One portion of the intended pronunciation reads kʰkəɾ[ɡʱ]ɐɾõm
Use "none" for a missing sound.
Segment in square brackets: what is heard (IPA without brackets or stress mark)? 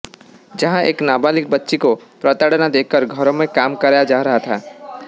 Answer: ɡʱ